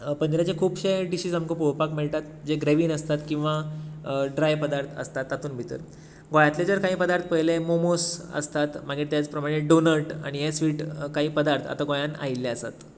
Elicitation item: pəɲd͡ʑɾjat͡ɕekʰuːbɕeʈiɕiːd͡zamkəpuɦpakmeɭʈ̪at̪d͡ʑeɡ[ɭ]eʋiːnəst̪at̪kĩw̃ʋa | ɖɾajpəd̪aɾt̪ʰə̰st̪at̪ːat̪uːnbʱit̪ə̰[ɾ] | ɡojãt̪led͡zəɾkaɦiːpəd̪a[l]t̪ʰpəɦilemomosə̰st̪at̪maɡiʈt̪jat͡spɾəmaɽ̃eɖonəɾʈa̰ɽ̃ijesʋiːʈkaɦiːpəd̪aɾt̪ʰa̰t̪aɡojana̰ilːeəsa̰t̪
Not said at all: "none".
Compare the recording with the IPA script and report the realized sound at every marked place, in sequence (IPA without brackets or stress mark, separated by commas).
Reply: ɾ, ɾ, ɾ